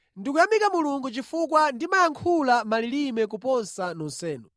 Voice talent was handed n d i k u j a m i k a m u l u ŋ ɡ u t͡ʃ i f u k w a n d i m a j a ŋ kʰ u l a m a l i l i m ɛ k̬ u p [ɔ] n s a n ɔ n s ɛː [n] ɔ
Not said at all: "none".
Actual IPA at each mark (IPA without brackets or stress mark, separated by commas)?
ɔ, n